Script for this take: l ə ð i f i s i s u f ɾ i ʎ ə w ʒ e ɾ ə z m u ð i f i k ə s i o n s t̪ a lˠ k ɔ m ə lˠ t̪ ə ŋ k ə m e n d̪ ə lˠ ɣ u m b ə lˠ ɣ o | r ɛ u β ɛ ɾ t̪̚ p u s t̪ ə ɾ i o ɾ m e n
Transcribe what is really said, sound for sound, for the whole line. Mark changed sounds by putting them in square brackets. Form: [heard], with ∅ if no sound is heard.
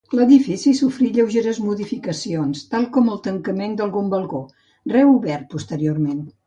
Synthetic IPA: l ə ð i f i s i s u f ɾ i ʎ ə w ʒ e ɾ ə z m u ð i f i k ə s i o n s t̪ a lˠ k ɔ m ə lˠ t̪ ə ŋ k ə m e n d̪ ə lˠ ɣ u m b ə lˠ ɣ o | r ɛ u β ɛ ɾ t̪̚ p u s t̪ ə ɾ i o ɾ m e n